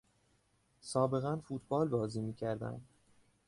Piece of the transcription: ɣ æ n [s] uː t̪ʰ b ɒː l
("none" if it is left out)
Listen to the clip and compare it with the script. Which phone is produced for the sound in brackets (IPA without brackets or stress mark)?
f